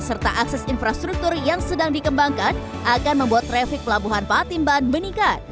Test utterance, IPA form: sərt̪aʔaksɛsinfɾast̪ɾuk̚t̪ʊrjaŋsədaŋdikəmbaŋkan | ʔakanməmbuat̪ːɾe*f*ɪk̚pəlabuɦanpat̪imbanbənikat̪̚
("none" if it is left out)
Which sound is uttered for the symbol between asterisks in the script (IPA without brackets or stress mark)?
f